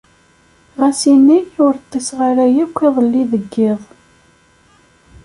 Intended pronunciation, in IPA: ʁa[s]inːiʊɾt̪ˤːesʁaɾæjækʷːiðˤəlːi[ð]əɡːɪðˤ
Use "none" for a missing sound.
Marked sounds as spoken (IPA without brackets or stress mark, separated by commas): s, ð